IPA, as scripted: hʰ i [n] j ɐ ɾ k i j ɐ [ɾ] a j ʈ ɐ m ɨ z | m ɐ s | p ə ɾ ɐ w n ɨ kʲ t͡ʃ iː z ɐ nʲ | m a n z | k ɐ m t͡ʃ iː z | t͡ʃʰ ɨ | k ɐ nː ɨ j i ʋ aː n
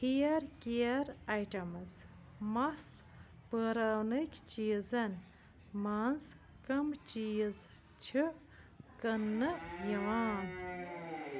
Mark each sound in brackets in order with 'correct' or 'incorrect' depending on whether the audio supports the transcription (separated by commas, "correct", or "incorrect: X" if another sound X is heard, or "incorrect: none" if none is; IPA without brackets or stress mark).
incorrect: none, correct